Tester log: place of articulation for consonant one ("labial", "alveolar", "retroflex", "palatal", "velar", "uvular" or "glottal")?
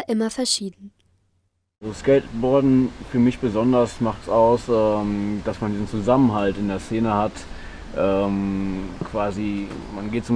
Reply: glottal